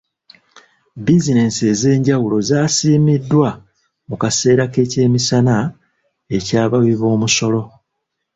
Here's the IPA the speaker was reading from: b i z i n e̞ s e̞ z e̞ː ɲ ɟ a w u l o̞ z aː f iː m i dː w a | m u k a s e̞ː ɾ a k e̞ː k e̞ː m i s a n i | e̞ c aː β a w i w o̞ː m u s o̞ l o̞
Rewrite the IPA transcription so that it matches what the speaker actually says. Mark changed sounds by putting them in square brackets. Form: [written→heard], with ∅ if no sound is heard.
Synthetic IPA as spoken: b i z i n e̞ s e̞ z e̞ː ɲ ɟ a w u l o̞ z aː [f→s] iː m i dː w a | m u k a s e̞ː ɾ a k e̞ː [k→c] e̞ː m i s a n [i→a] | e̞ c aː β a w i [w→β] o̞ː m u s o̞ l o̞